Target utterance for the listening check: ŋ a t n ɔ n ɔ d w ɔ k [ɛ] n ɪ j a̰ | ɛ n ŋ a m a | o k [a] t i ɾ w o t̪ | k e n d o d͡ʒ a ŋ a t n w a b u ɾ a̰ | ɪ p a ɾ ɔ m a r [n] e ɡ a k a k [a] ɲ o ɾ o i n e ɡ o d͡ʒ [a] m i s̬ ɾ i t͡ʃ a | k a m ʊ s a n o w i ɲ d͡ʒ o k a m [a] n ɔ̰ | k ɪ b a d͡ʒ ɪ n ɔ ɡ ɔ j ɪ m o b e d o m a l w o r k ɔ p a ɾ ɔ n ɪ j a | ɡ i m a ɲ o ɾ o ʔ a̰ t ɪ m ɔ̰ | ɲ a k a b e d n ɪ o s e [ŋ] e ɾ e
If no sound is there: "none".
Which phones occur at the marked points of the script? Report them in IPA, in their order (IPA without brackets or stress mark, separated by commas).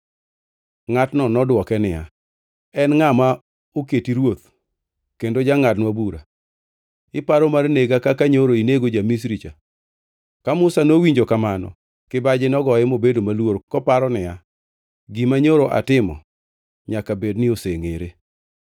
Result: ɛ, e, n, a, a, a, ŋ